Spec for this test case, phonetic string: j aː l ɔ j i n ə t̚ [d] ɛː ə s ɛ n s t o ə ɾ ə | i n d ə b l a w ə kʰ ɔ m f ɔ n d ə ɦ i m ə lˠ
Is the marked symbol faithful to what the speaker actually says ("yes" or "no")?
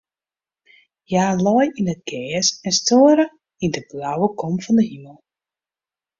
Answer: no